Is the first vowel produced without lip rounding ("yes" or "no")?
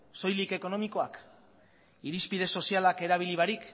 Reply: no